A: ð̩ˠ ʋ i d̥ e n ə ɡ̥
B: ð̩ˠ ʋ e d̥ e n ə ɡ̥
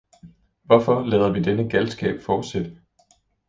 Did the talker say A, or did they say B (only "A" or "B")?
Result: A